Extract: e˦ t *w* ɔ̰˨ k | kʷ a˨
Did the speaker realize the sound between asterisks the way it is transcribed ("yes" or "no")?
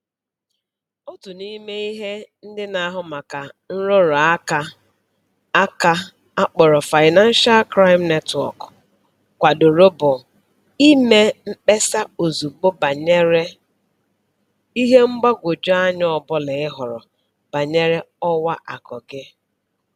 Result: yes